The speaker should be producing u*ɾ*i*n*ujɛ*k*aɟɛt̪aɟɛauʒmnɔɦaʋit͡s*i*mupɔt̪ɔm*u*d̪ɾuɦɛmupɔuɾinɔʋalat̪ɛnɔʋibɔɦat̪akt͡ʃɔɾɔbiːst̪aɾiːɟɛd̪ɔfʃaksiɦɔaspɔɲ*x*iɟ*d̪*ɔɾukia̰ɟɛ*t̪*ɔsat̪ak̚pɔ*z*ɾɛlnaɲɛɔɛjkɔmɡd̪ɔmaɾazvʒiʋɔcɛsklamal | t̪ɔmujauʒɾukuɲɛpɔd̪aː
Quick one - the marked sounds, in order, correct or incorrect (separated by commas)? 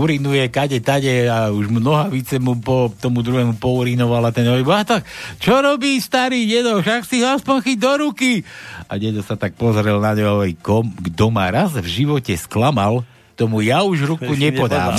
correct, correct, correct, incorrect, correct, correct, correct, incorrect, correct